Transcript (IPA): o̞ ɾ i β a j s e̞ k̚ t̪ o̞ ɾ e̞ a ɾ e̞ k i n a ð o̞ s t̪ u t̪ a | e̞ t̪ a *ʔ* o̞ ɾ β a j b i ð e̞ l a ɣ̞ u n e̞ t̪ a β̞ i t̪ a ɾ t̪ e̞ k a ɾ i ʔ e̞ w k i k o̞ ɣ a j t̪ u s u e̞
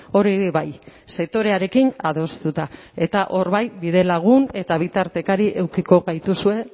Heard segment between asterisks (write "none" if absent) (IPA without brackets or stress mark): ʔ